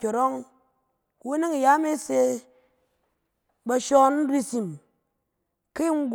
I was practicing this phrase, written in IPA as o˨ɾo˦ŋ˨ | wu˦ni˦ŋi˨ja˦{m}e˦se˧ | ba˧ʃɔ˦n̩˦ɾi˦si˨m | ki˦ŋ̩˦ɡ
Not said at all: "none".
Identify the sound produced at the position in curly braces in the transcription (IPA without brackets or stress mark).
m